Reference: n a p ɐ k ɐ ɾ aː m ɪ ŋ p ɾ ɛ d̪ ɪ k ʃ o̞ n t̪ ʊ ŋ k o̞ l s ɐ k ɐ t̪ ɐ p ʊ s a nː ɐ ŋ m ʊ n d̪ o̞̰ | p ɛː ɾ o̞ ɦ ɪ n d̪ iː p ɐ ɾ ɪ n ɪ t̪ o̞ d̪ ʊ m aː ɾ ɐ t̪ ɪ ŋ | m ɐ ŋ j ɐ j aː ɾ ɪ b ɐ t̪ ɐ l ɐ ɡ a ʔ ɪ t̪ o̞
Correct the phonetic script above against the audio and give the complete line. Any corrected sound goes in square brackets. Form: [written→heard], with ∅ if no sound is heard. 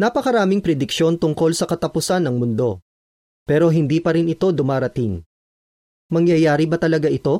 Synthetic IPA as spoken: n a p ɐ k ɐ ɾ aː m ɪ ŋ p ɾ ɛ d̪ ɪ k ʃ o̞ n t̪ ʊ ŋ k o̞ l s ɐ k ɐ t̪ ɐ p ʊ s a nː ɐ ŋ m ʊ n d̪ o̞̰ | p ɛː ɾ o̞ ɦ ɪ n d̪ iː p ɐ ɾ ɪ n ɪ t̪ o̞ d̪ ʊ m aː ɾ ɐ t̪ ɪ ŋ | m ɐ ŋ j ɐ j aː ɾ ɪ b ɐ t̪ ɐ l ɐ ɡ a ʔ ɪ t̪ o̞